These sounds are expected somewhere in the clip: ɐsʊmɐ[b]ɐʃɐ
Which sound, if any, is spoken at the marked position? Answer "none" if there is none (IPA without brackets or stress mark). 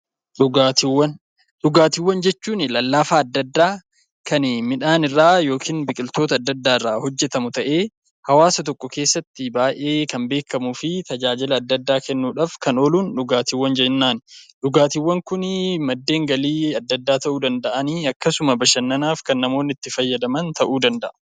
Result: b